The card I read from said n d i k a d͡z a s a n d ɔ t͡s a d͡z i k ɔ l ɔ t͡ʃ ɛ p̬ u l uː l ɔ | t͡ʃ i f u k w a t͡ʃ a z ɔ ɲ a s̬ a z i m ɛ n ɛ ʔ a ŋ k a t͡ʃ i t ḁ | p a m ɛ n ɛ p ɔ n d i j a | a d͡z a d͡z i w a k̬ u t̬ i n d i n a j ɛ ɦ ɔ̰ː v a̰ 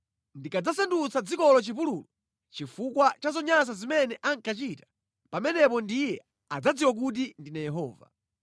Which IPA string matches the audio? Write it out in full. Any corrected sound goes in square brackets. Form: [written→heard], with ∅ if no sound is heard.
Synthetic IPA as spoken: n d i k a d͡z a s a n d [ɔ→u] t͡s a d͡z i k ɔ l ɔ t͡ʃ [ɛ→i] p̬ u l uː l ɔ | t͡ʃ i f u k w a t͡ʃ a z ɔ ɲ a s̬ a z i m ɛ n ɛ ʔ a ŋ k a t͡ʃ i t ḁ | p a m ɛ n ɛ p ɔ n d i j [a→ɛ] | a d͡z a d͡z i w a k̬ u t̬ i n d i n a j ɛ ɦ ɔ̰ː v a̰